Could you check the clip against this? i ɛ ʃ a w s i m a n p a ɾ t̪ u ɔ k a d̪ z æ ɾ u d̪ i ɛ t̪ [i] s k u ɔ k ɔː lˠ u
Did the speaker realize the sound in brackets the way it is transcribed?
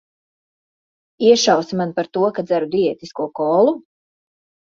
yes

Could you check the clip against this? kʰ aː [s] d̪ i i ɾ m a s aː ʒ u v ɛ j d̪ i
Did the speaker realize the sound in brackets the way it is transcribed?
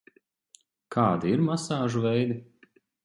no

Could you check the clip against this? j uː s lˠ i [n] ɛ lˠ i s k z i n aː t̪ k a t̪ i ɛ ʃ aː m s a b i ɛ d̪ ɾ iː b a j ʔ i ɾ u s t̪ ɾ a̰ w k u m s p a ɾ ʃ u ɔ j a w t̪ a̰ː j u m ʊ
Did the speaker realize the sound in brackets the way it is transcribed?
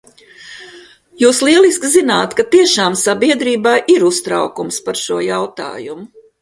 no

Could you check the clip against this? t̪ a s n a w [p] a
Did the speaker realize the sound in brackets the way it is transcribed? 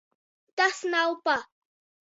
yes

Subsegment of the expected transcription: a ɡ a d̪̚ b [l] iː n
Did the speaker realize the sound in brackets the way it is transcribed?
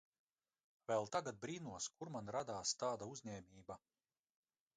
no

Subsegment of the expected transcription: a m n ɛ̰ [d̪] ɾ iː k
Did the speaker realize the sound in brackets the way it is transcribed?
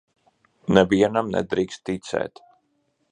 yes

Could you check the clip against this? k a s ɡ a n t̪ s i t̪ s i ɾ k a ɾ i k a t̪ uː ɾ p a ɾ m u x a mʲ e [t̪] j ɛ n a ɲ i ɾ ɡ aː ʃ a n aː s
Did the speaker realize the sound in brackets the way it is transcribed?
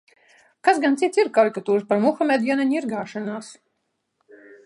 no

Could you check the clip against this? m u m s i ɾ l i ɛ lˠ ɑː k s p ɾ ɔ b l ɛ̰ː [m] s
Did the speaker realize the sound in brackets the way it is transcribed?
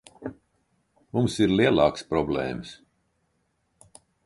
yes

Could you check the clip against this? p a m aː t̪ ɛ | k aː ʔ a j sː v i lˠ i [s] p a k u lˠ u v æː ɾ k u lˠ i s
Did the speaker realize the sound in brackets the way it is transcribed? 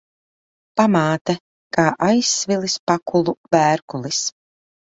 yes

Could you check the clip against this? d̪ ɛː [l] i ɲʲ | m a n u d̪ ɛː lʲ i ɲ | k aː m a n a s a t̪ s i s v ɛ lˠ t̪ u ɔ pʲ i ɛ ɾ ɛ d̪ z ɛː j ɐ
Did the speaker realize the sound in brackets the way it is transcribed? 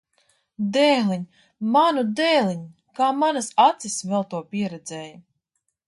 yes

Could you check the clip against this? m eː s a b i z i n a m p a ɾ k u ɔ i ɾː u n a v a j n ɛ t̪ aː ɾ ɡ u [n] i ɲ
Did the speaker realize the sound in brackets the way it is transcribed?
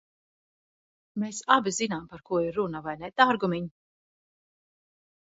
no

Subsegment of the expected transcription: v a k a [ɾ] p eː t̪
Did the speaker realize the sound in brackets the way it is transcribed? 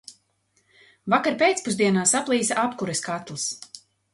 yes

